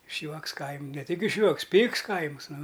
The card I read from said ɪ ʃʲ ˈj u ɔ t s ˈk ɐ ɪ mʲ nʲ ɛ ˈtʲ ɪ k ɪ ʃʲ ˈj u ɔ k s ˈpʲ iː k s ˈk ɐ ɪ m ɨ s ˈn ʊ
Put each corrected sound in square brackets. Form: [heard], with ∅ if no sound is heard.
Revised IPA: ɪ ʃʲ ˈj u ɔ [k] s ˈk ɐ ɪ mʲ nʲ ɛ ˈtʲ ɪ k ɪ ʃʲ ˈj u ɔ k s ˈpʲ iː k s ˈk ɐ ɪ m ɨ s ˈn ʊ